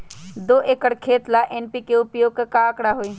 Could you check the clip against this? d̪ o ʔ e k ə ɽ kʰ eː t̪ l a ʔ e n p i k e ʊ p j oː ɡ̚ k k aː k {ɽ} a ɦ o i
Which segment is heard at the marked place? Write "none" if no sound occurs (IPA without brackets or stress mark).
ɽ